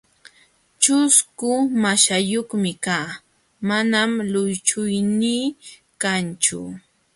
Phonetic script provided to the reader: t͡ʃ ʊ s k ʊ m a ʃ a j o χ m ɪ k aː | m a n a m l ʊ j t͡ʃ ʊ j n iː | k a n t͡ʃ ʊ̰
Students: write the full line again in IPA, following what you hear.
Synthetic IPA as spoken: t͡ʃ ʊ s k ʊ m a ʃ a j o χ m ɪ k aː | m a n a m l ʊ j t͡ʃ ʊ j n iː | k a n t͡ʃ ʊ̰